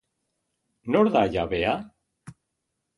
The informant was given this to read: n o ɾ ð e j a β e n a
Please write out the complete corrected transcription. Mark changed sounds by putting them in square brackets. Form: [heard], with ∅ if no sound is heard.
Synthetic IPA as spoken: n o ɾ ð [a] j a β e [∅] a